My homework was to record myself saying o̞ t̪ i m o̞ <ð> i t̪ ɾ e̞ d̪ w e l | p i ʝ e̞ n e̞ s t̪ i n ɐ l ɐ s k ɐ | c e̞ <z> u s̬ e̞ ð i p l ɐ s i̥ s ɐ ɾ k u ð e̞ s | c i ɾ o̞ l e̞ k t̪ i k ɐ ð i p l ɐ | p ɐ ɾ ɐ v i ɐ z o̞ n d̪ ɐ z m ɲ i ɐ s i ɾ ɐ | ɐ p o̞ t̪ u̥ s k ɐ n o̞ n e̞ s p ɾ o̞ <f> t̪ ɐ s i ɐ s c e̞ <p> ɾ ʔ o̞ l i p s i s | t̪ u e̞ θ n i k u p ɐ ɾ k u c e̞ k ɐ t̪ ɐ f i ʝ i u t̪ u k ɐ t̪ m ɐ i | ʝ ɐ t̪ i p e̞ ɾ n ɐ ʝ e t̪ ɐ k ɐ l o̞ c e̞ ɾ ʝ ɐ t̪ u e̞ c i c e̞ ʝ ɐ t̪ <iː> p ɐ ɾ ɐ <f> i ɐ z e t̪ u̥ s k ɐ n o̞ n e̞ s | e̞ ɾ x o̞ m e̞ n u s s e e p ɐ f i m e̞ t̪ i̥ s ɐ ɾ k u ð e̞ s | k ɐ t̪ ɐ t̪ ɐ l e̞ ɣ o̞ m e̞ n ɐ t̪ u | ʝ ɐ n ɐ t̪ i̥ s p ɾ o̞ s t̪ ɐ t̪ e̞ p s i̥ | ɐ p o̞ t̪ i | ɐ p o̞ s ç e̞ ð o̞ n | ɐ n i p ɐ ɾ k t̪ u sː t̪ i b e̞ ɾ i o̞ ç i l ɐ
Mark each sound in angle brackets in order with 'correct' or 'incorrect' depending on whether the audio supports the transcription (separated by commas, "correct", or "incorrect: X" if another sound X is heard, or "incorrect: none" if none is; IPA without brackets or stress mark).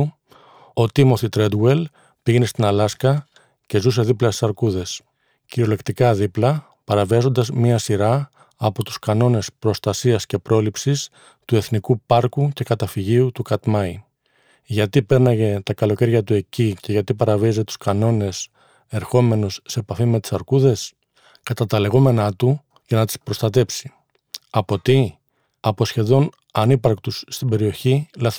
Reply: incorrect: θ, correct, incorrect: s, correct, incorrect: i, incorrect: v